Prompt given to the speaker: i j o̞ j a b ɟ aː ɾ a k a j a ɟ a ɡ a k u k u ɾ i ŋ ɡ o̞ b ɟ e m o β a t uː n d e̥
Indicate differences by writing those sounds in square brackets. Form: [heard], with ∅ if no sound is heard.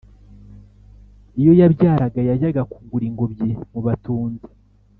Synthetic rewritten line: i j o̞ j a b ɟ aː ɾ a [ɡ] a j a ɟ a ɡ a k u [ɡ] u ɾ i ŋ ɡ o̞ b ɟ e m [u] β a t uː n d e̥